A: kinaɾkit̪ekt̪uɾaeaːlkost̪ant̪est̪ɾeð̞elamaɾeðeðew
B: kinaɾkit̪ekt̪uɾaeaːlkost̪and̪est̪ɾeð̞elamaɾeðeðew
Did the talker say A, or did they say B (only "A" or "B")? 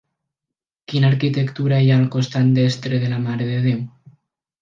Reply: B